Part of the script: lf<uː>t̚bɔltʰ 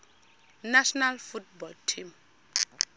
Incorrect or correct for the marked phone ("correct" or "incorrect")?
incorrect